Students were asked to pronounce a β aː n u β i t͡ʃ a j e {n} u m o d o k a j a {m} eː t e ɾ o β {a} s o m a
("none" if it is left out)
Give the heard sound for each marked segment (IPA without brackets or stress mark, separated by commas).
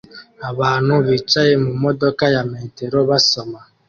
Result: m, m, a